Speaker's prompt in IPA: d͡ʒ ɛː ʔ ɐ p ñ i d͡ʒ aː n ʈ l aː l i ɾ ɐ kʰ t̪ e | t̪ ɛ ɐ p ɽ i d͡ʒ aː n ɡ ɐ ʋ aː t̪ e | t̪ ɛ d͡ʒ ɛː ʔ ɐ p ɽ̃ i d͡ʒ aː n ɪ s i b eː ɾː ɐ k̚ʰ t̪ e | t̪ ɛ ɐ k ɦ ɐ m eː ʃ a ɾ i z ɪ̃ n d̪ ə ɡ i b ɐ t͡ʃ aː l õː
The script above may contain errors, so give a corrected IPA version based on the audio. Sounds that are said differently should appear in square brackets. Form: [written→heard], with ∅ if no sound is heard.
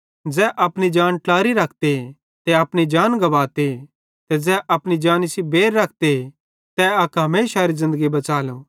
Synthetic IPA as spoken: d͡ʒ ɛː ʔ ɐ p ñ i d͡ʒ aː n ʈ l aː [l→ɾ] i ɾ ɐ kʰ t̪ e | t̪ ɛ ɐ p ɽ i d͡ʒ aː n ɡ ɐ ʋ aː t̪ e | t̪ ɛ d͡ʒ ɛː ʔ ɐ p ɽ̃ i d͡ʒ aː n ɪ s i b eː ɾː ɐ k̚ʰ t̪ e | t̪ ɛ ɐ k ɦ ɐ m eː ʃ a ɾ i z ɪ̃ n d̪ ə ɡ i b ɐ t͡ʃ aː l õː